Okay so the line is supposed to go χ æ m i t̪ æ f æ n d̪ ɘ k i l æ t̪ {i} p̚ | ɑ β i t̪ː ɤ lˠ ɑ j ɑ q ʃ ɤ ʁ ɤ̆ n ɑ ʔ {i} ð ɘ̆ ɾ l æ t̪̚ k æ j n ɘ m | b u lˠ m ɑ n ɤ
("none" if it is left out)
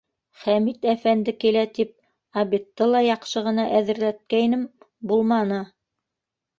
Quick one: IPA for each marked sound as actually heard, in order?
i, æ

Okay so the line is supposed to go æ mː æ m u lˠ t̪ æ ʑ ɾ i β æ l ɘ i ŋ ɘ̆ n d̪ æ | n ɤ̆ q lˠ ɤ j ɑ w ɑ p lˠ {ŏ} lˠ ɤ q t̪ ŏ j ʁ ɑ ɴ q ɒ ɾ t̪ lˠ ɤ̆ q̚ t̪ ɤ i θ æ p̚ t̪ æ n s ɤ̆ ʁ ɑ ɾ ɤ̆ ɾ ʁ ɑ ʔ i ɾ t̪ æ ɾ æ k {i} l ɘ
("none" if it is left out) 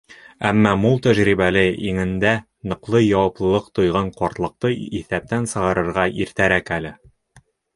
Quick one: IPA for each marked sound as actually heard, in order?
ɤ̆, æ

